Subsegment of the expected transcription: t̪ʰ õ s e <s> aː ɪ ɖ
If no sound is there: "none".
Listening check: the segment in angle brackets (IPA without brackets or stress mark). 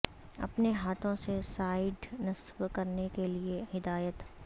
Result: s